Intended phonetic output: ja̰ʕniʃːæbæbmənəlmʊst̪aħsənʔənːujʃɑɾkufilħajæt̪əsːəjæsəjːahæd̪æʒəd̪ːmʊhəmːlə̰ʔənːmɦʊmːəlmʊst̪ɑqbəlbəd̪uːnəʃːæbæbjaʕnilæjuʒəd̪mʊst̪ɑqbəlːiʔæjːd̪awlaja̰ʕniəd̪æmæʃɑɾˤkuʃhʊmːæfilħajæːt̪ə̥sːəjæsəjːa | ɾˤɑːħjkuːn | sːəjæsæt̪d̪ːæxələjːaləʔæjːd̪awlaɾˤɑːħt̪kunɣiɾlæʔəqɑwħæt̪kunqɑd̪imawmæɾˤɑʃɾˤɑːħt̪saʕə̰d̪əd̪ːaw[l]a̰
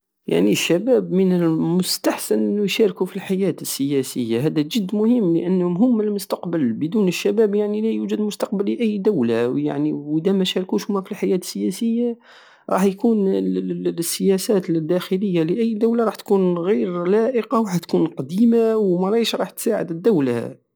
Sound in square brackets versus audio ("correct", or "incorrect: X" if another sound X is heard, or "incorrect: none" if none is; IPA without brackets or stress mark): correct